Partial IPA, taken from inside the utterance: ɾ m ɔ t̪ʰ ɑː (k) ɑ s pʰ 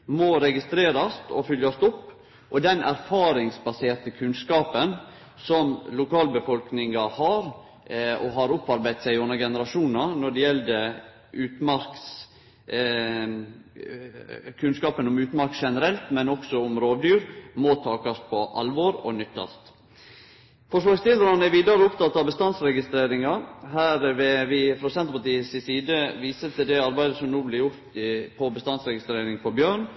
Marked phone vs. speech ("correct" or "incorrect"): correct